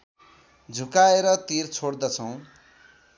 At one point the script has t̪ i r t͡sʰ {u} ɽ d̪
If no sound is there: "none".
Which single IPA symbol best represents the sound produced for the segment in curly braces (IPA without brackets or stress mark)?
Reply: o